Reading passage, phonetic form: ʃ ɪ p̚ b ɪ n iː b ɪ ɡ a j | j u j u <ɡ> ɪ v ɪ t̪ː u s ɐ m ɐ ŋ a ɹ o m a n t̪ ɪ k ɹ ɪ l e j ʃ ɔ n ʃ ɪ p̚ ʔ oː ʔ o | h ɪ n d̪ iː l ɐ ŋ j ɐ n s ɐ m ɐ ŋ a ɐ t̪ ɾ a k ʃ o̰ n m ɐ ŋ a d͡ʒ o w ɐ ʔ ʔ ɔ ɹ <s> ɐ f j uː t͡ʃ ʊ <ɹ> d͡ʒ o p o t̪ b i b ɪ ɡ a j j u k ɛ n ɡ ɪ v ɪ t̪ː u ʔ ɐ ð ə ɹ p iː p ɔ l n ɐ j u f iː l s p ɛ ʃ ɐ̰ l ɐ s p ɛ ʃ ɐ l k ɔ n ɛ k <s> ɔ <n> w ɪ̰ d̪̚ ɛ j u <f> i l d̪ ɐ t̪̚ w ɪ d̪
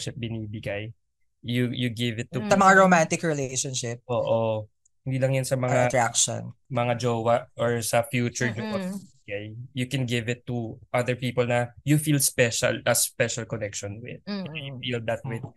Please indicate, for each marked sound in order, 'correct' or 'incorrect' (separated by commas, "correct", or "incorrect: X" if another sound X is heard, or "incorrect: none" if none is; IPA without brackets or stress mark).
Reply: correct, correct, correct, incorrect: ʃ, correct, correct